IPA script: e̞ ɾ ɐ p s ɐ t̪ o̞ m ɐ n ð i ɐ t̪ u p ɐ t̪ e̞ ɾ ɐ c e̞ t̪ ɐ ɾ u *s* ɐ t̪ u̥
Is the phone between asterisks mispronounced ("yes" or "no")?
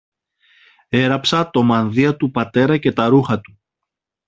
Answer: yes